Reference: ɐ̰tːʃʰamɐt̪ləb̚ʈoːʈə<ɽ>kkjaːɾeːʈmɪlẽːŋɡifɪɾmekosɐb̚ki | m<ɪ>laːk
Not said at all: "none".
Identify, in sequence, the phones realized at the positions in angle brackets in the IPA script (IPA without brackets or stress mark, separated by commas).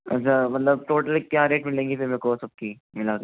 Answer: l, ɪ